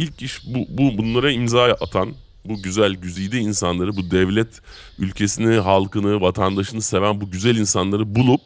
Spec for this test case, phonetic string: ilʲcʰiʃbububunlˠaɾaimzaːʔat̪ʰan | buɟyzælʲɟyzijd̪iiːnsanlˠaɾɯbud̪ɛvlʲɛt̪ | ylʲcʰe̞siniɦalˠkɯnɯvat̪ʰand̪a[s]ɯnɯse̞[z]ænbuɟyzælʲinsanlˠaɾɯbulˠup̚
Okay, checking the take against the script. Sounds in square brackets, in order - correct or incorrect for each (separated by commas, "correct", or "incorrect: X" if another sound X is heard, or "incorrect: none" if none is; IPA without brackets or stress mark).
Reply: incorrect: ʃ, incorrect: v